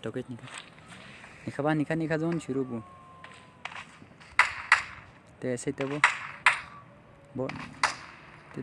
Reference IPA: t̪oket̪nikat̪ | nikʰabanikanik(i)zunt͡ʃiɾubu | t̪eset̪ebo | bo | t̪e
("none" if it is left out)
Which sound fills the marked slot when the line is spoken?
a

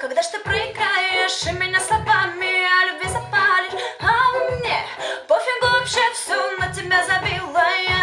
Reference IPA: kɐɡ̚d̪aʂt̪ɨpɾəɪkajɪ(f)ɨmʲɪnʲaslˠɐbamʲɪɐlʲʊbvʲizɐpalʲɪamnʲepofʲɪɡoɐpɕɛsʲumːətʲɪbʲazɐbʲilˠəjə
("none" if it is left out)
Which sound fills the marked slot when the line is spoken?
ʂ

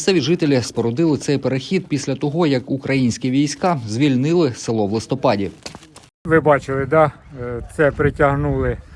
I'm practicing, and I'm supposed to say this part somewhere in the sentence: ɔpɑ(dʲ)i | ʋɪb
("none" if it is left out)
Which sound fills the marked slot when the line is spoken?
dʲ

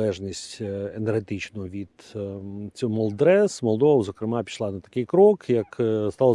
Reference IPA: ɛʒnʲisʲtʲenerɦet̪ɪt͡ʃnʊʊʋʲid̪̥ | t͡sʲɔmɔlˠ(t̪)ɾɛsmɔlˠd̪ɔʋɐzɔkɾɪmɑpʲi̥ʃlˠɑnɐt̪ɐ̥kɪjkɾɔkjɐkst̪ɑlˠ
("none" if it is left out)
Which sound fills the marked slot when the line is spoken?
d̪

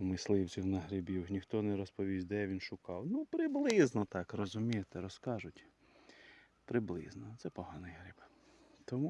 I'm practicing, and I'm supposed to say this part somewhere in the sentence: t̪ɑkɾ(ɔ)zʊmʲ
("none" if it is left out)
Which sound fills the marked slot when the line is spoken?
ɔ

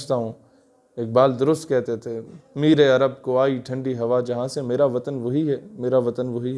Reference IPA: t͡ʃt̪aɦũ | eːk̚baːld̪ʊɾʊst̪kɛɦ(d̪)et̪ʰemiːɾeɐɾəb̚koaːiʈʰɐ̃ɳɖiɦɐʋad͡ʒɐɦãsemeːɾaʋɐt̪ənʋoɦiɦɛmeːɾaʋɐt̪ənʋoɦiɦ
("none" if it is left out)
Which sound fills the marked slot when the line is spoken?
t̪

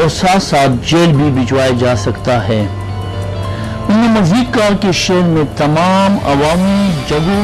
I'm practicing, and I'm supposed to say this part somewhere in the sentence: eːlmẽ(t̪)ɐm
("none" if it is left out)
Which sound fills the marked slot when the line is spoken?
t̪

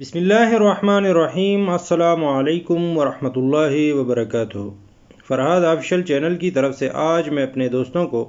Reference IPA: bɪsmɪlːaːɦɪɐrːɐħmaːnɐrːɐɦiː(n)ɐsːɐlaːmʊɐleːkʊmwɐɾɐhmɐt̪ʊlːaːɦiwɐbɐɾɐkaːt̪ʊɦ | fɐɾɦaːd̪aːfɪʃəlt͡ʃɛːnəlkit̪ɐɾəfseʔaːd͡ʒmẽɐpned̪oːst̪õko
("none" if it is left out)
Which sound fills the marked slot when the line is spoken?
m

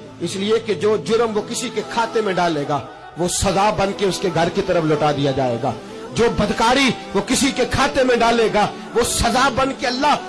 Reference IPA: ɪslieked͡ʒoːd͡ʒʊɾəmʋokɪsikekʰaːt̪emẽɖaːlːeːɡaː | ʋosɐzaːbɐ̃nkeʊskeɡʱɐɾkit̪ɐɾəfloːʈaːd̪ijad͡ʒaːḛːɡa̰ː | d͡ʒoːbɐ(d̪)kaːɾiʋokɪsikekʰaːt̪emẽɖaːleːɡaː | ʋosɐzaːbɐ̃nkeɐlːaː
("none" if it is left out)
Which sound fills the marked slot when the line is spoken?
d̪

